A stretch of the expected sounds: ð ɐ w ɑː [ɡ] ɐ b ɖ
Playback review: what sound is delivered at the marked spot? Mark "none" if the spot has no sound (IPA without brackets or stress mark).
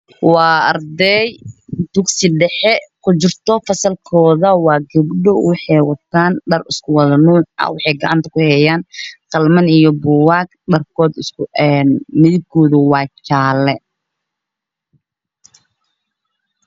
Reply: ɡ